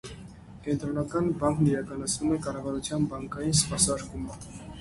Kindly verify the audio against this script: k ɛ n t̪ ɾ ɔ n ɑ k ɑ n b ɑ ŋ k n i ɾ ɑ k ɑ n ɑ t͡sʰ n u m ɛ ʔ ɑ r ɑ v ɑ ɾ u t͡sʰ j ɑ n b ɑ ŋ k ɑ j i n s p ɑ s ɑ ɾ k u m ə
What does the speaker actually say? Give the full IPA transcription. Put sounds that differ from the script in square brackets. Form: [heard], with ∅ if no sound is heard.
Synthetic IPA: k ɛ n t̪ ɾ ɔ n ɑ k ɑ n b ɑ ŋ k n i ɾ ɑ k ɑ n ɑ t͡sʰ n u m ɛ [k] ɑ r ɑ v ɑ ɾ u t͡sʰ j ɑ n b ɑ ŋ k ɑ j i n s p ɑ s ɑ ɾ k u m ə

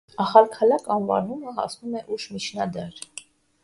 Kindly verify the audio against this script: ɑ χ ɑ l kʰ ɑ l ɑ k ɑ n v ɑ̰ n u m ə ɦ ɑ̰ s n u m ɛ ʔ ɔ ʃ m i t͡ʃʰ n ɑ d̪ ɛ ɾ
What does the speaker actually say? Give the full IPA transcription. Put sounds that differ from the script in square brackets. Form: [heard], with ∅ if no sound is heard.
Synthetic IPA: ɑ χ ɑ l kʰ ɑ l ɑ k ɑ n v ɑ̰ n u m ə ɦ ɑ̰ s n u m ɛ ʔ [u] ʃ m i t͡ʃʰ n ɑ d̪ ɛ ɾ

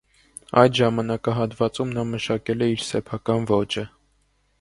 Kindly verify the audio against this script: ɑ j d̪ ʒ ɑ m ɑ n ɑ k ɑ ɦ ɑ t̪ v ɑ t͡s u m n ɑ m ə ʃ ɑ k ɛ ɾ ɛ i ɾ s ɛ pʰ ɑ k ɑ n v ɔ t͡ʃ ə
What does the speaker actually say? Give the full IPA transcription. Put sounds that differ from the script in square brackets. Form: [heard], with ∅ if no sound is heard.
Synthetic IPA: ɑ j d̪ ʒ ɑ m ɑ n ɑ k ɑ ɦ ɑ t̪ v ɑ t͡s u m n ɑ m ə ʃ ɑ k ɛ [l] ɛ i ɾ s ɛ pʰ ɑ k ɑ n v ɔ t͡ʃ ə

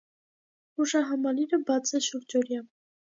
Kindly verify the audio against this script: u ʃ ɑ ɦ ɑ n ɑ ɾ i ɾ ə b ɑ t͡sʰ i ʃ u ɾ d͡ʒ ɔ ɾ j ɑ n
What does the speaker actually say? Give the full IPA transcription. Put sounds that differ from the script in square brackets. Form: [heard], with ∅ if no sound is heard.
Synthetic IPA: u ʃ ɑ ɦ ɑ [m] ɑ [l] i ɾ ə b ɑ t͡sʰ [ɛ] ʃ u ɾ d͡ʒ ɔ ɾ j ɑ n

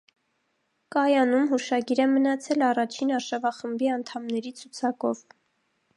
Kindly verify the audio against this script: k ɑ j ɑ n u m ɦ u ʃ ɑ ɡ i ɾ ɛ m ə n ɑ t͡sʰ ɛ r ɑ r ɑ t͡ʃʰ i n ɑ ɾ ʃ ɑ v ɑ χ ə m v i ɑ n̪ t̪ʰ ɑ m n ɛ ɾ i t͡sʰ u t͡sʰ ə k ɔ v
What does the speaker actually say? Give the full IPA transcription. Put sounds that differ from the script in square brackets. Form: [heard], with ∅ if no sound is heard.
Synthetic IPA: k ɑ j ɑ n u m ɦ u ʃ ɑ ɡ i ɾ ɛ m ə n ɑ t͡sʰ ɛ [l] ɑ r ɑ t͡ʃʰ i n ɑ ɾ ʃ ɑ v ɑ χ ə m [b] i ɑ n̪ t̪ʰ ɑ m n ɛ ɾ i t͡sʰ u t͡sʰ [ɑ] k ɔ v

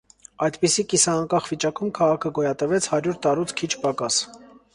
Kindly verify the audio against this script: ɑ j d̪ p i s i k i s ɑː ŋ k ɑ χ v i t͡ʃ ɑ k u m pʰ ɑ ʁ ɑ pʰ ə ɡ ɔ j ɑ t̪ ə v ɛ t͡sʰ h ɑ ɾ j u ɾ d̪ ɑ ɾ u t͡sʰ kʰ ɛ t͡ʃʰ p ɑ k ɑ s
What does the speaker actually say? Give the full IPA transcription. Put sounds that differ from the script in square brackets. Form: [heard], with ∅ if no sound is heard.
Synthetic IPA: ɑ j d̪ p i s i k i s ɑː ŋ k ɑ χ v i t͡ʃ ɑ k u m [kʰ] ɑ ʁ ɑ [kʰ] ə ɡ ɔ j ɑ t̪ ə v ɛ t͡sʰ h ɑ ɾ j u ɾ [t̪] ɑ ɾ u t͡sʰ kʰ [i] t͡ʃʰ p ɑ k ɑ s

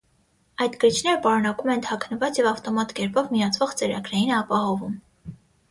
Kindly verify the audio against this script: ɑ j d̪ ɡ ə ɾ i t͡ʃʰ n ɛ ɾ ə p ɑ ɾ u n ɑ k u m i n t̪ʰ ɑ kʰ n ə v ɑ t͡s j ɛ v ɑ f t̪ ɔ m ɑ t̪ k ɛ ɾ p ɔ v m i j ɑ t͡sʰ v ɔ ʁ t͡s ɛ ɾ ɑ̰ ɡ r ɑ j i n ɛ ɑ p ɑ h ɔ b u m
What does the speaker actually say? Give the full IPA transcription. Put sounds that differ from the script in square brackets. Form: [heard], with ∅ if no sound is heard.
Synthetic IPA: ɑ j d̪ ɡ ə ɾ i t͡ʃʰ n ɛ ɾ ə p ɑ ɾ u n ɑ k u m [ɛ] n t̪ʰ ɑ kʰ n ə v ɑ t͡s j ɛ v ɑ f t̪ ɔ m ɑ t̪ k ɛ ɾ p ɔ v m i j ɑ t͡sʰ v ɔ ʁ t͡s ɛ ɾ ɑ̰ ɡ [ɾ] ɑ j i n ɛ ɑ p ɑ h ɔ [v] u m

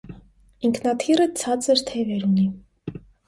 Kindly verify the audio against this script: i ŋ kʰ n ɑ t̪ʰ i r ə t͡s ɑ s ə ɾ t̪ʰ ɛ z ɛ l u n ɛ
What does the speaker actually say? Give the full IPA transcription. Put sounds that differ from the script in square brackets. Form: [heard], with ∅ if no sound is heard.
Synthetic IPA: i ŋ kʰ n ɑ t̪ʰ i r ə [t͡sʰ] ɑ [t͡s] ə ɾ t̪ʰ ɛ [v] ɛ [ɾ] u n [i]

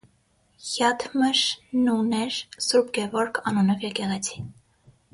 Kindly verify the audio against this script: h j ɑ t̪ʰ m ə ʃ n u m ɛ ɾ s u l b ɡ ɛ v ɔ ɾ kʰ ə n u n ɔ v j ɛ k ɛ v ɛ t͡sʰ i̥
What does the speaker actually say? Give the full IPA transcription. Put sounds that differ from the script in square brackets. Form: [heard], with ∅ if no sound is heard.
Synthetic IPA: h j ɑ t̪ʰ m ə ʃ n u [n] ɛ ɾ s u [ɾ] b ɡ ɛ v ɔ ɾ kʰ [ɑ] n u n ɔ v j ɛ k ɛ [ʁ] ɛ t͡sʰ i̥

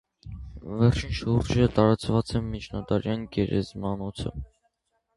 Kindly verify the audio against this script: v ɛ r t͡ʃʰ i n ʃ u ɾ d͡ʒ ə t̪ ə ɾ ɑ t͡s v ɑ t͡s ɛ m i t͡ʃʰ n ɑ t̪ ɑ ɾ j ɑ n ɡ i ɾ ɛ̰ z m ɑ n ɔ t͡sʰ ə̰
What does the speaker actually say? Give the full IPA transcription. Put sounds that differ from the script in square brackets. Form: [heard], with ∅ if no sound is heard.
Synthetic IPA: v ɛ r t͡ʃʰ i n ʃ u ɾ d͡ʒ ə t̪ [ɑ] ɾ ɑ t͡s v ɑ t͡s ɛ m i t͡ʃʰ n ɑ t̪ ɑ ɾ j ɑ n ɡ [ɛ] ɾ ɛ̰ z m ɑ n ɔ t͡sʰ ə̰

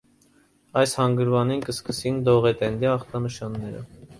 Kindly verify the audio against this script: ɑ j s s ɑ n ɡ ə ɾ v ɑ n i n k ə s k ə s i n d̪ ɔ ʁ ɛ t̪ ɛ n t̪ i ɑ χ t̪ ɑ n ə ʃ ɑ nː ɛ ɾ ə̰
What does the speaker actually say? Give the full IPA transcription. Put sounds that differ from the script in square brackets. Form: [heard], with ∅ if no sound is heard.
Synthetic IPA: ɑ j s [h] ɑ [ŋ] ɡ ə ɾ v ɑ n i n k ə s k ə s i n d̪ ɔ ʁ ɛ t̪ ɛ n [d̪] i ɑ χ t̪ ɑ n ə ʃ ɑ nː ɛ ɾ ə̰

